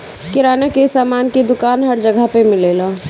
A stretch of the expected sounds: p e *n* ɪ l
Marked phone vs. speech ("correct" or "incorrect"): incorrect